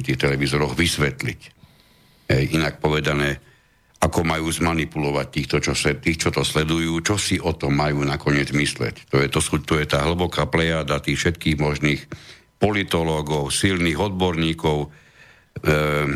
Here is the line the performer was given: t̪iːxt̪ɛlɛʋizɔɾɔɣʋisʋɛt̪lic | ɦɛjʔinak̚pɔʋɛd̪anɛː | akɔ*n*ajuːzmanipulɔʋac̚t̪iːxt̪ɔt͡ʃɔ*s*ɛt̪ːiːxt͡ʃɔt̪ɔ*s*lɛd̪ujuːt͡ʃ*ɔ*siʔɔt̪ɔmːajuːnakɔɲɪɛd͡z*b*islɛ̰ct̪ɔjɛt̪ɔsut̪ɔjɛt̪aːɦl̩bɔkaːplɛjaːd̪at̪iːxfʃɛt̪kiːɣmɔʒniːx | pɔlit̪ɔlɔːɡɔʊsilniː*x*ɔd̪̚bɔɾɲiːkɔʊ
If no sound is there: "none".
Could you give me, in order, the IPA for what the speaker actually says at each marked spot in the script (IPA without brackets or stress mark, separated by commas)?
m, s, s, ɔ, m, ɣ